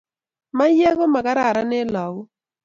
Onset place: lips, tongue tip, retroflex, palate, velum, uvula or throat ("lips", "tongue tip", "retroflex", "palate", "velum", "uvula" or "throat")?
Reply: lips